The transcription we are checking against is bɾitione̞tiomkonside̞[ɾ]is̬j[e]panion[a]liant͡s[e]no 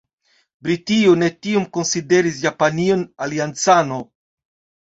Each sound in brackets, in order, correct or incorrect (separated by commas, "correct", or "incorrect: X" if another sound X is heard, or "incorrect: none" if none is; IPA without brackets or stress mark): correct, incorrect: a, correct, incorrect: a